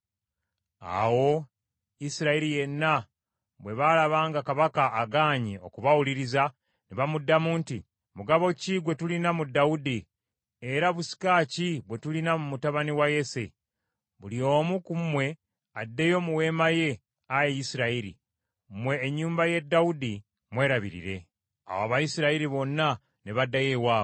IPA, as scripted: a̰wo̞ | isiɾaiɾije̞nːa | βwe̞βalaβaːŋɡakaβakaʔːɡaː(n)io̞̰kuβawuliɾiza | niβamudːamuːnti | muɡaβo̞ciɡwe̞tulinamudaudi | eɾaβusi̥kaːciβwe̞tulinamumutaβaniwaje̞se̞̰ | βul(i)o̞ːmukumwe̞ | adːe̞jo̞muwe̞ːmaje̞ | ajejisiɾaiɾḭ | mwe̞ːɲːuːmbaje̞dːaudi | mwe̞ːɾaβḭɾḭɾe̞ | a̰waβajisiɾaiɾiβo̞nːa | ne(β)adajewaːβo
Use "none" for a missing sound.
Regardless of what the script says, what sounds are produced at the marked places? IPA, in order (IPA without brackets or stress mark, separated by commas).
ɲ, i, β